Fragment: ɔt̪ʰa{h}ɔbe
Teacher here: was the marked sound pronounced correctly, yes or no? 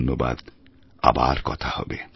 yes